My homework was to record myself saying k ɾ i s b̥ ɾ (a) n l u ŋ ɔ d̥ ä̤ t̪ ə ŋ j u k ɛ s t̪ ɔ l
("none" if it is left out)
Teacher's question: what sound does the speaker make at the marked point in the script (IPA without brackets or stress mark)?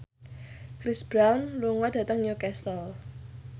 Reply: a